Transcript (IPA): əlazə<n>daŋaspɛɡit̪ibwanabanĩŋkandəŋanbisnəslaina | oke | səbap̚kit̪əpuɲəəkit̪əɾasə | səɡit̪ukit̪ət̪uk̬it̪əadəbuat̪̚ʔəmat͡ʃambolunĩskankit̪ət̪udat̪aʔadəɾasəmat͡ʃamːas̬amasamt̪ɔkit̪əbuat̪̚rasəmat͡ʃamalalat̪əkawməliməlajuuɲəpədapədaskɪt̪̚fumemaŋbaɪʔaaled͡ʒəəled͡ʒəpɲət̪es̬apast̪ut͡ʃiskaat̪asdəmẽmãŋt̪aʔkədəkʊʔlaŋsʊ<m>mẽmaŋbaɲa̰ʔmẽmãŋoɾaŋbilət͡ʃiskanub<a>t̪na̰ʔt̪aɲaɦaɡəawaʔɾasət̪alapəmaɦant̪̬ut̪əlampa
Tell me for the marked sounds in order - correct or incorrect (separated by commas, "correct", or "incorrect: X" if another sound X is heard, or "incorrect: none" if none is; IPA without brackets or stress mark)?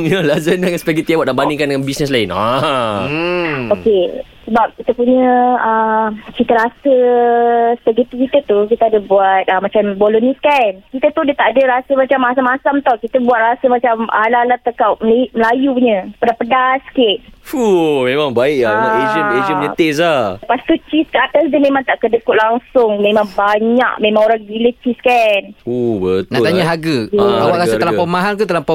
correct, incorrect: ŋ, incorrect: ə